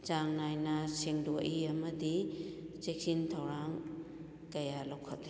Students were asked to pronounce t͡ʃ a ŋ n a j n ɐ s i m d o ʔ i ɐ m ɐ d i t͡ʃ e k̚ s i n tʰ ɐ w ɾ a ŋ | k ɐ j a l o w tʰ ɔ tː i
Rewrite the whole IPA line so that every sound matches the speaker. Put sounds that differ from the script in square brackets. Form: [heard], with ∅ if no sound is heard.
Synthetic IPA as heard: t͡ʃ a ŋ n a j n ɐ s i [ŋ] d o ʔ i ɐ m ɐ d i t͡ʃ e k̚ s i n tʰ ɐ w ɾ a ŋ | k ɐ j a l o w [kʰ] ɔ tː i